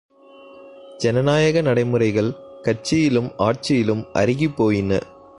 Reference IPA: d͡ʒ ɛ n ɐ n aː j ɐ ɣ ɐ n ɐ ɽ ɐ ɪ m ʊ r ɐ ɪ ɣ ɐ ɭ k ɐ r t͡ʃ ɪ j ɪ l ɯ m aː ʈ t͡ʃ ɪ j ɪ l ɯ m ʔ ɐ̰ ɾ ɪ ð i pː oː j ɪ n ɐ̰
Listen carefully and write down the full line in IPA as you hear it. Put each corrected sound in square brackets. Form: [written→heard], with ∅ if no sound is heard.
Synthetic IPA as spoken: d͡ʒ ɛ n ɐ n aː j ɐ ɣ ɐ n ɐ ɽ ɐ ɪ m [ʊ→ɯ] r ɐ ɪ ɣ ɐ ɭ k ɐ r t͡ʃ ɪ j ɪ l ɯ m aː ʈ t͡ʃ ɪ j ɪ l ɯ m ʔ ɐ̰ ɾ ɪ [ð→ɣ] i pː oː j ɪ n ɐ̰

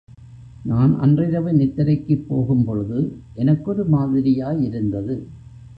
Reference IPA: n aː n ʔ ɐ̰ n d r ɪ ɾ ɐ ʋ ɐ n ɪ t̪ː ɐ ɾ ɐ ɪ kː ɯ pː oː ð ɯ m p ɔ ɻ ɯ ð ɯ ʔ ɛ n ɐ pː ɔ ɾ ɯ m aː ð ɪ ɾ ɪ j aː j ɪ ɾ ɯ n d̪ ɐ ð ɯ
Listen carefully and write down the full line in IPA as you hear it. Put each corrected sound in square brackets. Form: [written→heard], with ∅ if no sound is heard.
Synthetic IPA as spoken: n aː n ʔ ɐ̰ n d r ɪ ɾ ɐ ʋ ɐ n ɪ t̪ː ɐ ɾ ɐ ɪ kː ɯ pː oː [ð→ɣ] ɯ m p ɔ ɻ ɯ ð ɯ ʔ ɛ n ɐ [pː→kː] ɔ ɾ ɯ m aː ð ɪ ɾ ɪ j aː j ɪ ɾ ɯ n d̪ ɐ ð ɯ

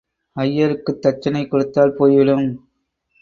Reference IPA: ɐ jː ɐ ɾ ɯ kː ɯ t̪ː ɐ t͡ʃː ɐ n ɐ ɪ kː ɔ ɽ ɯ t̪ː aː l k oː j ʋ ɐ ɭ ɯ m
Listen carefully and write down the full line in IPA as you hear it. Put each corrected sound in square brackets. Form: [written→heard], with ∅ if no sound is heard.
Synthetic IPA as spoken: ɐ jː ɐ ɾ ɯ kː ɯ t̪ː ɐ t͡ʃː ɐ n ɐ ɪ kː ɔ ɽ ɯ t̪ː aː l [k→p] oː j ʋ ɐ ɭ ɯ m

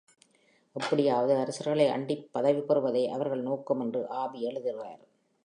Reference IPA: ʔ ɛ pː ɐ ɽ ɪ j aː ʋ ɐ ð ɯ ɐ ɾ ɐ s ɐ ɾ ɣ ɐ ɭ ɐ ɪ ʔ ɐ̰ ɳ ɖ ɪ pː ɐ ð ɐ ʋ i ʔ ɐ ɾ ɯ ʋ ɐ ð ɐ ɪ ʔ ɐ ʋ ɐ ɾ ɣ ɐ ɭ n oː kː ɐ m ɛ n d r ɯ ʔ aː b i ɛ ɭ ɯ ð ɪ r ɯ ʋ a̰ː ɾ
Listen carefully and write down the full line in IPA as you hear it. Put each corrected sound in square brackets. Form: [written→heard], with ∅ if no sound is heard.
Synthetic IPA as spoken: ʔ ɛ pː ɐ ɽ ɪ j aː ʋ ɐ ð ɯ ɐ ɾ ɐ s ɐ ɾ ɣ ɐ ɭ ɐ ɪ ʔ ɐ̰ ɳ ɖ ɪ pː ɐ ð ɐ ʋ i [ʔ→p] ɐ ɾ ɯ ʋ ɐ ð ɐ ɪ ʔ ɐ ʋ ɐ ɾ ɣ ɐ ɭ n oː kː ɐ m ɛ n d r ɯ ʔ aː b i ɛ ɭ ɯ ð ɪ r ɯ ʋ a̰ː ɾ

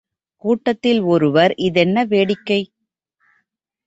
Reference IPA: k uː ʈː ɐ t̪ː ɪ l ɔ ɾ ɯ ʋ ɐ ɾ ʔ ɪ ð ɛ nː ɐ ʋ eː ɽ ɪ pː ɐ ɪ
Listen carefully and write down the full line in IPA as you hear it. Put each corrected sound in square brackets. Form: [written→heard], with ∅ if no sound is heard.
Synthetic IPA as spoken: k uː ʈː ɐ t̪ː ɪ l ɔ ɾ ɯ ʋ ɐ ɾ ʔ ɪ ð ɛ nː ɐ ʋ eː ɽ ɪ [pː→kː] ɐ ɪ

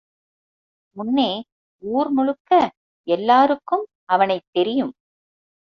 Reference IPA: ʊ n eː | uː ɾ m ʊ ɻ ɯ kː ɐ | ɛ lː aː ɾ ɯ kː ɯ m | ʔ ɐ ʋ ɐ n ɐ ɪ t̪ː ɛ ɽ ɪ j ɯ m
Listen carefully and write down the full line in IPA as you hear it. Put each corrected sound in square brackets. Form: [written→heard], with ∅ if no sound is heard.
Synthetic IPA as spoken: ʊ [n→nː] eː | uː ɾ m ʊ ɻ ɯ kː ɐ | ɛ lː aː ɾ ɯ kː ɯ m | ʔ ɐ ʋ ɐ n ɐ ɪ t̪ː ɛ [ɽ→ɾ] ɪ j ɯ m

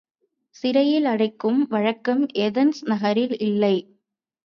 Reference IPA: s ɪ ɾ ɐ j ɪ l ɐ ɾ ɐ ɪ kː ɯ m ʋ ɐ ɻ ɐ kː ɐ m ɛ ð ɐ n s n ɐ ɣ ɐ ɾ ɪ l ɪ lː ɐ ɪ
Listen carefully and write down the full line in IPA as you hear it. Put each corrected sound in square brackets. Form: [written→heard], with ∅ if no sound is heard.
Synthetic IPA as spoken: s ɪ ɾ ɐ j ɪ l ɐ [ɾ→ɽ] ɐ ɪ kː ɯ m ʋ ɐ ɻ ɐ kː ɐ m ɛ ð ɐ n s n ɐ ɣ ɐ ɾ ɪ l ɪ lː ɐ ɪ

